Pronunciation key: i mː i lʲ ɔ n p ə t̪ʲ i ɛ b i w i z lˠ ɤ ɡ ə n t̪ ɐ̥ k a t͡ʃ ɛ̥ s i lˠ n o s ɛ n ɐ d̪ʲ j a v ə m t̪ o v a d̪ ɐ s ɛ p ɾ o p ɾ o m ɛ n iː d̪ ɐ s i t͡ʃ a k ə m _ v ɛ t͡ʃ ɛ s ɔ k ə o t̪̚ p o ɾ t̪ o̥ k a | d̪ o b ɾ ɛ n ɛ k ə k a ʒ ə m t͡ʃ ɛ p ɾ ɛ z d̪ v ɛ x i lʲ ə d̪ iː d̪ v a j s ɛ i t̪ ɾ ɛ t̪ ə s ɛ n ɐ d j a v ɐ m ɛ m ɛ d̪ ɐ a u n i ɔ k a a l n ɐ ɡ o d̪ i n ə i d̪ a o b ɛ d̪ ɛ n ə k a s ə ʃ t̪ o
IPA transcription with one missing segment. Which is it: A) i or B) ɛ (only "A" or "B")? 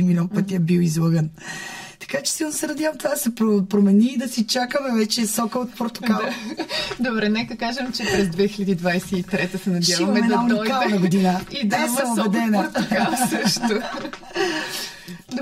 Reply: B